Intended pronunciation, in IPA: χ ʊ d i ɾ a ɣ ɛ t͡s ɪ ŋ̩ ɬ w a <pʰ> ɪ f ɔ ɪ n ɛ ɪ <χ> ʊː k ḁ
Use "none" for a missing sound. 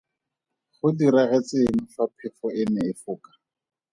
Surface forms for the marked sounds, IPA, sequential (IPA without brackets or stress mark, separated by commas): pʰ, f